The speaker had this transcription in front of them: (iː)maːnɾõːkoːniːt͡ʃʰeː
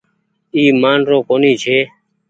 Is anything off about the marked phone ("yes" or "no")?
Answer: no